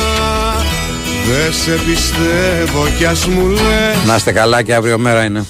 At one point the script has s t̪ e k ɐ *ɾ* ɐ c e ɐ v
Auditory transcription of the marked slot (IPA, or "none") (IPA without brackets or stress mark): l